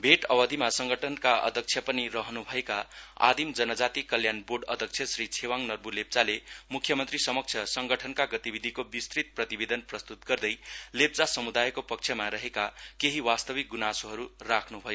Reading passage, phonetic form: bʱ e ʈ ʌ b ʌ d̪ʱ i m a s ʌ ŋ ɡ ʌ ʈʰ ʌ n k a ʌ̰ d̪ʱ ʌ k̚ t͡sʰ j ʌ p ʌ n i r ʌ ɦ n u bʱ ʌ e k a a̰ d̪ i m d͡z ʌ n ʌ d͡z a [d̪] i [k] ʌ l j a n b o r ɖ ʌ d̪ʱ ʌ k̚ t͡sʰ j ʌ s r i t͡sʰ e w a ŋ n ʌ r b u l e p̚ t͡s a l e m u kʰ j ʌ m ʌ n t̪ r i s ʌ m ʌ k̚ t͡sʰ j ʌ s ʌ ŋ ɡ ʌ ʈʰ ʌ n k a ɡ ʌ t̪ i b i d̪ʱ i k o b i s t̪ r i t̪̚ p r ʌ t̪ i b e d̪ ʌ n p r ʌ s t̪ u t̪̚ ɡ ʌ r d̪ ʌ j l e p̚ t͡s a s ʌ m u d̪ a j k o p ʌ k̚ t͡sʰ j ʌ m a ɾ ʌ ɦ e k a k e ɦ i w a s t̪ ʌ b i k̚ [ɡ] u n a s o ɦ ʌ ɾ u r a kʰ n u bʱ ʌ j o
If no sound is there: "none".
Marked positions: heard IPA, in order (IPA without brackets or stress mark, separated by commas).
t̪, k, ɡ